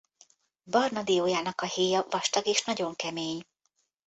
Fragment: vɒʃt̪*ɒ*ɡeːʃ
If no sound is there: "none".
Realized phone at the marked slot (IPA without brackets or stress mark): ɒ